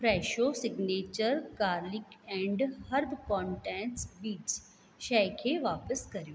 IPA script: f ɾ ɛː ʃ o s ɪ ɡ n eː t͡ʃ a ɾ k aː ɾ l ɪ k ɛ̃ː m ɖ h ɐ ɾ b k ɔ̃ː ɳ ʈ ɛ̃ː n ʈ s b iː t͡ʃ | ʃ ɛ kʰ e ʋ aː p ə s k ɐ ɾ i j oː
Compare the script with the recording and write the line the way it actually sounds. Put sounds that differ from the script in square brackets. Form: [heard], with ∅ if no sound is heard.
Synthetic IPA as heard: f ɾ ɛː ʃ o s ɪ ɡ n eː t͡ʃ [ə] ɾ k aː ɾ l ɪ k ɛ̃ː [ɳ] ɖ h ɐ ɾ b k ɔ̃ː ɳ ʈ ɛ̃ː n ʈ s b iː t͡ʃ | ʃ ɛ kʰ e ʋ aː p ə s k ɐ ɾ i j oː

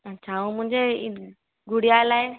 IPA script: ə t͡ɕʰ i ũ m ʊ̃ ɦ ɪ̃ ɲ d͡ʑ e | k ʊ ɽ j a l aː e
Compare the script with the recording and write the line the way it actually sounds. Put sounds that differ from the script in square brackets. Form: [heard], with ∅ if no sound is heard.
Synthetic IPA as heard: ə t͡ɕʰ [a] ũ m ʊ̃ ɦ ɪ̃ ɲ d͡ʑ e | [ɡ] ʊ ɽ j a l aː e

